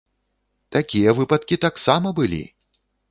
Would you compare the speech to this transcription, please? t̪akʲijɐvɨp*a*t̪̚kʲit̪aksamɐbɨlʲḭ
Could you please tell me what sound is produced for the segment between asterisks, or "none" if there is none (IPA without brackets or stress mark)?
ɐ